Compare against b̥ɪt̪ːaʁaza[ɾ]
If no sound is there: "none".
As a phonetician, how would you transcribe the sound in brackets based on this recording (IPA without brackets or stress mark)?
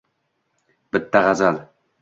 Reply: l